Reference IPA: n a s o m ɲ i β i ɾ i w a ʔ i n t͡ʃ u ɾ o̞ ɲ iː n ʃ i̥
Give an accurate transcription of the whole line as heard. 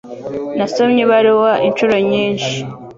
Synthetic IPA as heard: n a s o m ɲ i β a ɾ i w a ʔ i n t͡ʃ u ɾ o̞ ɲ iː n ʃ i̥